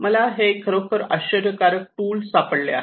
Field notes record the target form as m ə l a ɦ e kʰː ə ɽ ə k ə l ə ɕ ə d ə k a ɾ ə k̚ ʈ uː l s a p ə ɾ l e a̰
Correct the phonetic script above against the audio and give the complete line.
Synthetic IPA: m ə l a ɦ e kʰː ə ɾ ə k ə ɾ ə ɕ ə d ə k a ɾ ə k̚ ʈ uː l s a p ə ɽ l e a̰

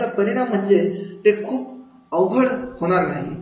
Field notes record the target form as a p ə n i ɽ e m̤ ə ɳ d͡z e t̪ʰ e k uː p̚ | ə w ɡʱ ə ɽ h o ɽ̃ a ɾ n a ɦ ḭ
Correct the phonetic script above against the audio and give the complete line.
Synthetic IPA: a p ə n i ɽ a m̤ ə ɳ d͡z e t̪ e kʰ uː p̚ | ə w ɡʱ ə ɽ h o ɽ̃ a ɾ n a ɦ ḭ

